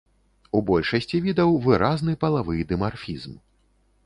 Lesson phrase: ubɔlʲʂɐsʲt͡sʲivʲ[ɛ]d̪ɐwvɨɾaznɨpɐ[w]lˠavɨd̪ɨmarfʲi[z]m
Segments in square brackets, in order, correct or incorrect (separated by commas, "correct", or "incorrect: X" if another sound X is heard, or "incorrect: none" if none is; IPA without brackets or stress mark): incorrect: i, incorrect: none, correct